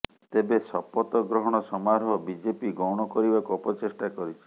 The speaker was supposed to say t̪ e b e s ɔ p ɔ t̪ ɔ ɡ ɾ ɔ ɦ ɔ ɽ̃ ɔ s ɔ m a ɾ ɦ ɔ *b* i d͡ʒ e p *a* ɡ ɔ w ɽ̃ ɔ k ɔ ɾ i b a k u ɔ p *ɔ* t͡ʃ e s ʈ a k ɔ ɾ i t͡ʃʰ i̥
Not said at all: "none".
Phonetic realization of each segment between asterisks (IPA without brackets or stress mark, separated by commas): b, i, ɔ